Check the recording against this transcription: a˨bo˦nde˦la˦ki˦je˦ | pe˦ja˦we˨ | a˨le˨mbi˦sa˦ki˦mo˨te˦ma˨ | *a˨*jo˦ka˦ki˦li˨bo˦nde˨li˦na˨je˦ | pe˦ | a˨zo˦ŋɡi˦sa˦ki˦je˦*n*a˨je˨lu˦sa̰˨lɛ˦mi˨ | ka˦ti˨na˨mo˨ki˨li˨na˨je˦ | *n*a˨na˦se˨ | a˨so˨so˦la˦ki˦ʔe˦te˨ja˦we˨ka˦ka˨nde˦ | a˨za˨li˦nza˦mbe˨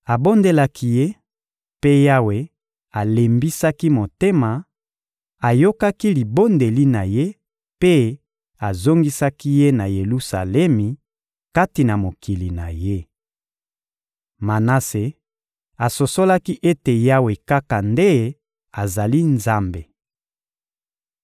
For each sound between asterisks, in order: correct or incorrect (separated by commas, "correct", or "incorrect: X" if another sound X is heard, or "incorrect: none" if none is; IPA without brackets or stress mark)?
correct, correct, incorrect: m